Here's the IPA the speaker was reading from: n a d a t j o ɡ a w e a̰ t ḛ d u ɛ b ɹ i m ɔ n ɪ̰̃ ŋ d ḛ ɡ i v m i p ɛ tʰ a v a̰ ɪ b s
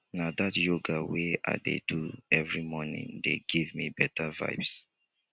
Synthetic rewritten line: n a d a t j o ɡ a w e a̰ d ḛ d u ɛ v ɹ i m ɔ n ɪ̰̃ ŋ d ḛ ɡ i v m i b ɛ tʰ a v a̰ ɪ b s